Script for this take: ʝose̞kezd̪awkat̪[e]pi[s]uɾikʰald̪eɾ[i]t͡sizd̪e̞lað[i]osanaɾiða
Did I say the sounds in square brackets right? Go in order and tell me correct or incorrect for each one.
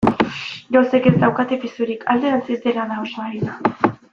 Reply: correct, correct, incorrect: a, incorrect: a

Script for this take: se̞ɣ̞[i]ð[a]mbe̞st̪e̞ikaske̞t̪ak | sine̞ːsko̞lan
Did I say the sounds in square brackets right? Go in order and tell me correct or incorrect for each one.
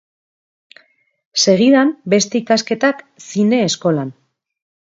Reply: correct, correct

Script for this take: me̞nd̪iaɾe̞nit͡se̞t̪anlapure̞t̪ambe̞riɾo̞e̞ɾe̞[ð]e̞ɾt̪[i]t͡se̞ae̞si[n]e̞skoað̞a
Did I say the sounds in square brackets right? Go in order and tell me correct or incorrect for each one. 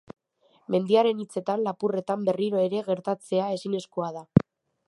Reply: incorrect: ɣ, incorrect: a, correct

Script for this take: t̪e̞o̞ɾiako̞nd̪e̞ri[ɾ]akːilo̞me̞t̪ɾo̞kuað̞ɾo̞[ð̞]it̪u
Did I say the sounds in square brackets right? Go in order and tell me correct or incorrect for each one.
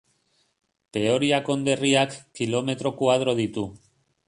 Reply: incorrect: none, correct

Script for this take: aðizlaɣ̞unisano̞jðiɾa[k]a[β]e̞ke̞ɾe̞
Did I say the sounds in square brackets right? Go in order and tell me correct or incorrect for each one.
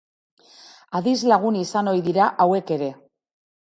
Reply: incorrect: ʔ, incorrect: w

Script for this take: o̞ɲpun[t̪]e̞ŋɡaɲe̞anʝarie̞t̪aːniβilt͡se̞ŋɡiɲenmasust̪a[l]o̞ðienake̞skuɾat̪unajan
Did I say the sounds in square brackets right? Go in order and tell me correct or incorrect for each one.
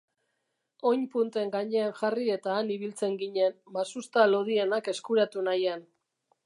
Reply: correct, correct

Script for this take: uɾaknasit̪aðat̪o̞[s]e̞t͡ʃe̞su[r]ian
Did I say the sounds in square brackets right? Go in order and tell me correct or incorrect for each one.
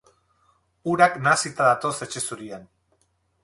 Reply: correct, incorrect: ɾ

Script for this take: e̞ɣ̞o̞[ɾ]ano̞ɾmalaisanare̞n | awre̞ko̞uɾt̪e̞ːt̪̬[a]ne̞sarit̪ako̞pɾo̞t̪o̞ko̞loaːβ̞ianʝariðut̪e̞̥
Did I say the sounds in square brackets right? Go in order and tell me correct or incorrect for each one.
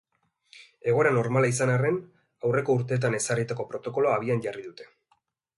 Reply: correct, correct

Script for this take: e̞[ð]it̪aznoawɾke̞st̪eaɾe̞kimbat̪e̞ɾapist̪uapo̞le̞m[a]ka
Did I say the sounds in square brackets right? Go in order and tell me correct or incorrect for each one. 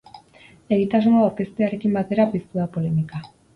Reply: incorrect: ɣ, incorrect: i

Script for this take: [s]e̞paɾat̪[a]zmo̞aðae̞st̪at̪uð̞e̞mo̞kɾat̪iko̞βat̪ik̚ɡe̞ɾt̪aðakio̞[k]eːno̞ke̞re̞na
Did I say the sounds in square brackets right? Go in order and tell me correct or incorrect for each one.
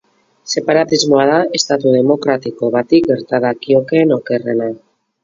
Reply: correct, incorrect: i, correct

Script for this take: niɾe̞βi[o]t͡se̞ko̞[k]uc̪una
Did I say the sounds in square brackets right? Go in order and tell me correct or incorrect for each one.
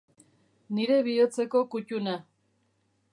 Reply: correct, correct

